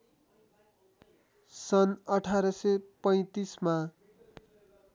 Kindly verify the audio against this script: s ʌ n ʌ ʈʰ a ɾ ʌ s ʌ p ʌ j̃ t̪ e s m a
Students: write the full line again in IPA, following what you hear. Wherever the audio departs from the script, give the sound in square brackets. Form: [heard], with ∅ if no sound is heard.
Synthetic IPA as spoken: s ʌ n ʌ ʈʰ a ɾ ʌ s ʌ p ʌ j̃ t̪ [i] s m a